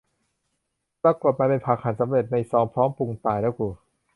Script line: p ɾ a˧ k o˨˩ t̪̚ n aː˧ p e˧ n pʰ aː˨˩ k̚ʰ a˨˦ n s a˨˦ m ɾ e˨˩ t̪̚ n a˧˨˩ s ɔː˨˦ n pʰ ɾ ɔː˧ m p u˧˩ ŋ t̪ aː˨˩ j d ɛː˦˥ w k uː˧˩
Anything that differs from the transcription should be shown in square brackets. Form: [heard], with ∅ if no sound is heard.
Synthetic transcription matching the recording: p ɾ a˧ k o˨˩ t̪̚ [m] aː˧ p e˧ n pʰ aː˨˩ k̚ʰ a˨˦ n s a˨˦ m ɾ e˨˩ t̪̚ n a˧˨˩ s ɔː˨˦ [ŋ] pʰ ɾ [ɔː˦˥] m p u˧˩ ŋ t̪ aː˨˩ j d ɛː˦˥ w k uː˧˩